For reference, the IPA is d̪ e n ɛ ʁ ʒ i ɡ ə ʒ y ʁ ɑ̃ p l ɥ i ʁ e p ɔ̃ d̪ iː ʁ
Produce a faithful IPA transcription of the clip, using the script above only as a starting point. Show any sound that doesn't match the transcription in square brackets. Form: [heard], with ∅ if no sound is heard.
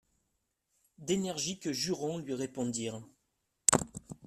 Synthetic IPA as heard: d̪ e n ɛ ʁ ʒ i [k] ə ʒ y ʁ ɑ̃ [∅] l ɥ i ʁ e p ɔ̃ d̪ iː ʁ